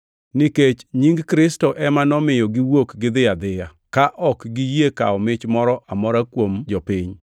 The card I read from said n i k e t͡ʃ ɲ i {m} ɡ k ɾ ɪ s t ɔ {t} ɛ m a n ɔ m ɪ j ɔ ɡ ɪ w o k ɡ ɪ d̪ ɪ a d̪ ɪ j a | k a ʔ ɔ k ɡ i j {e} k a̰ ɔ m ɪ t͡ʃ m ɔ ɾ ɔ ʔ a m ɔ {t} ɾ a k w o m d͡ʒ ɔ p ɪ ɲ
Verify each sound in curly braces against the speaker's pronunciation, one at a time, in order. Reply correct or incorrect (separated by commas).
incorrect, incorrect, correct, incorrect